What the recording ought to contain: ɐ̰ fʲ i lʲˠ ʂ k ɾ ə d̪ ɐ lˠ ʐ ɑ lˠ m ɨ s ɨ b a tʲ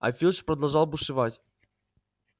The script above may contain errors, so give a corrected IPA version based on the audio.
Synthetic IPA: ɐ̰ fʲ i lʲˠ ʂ p ɾ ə d̪ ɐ lˠ ʐ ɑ lˠ b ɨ ʂ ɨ v a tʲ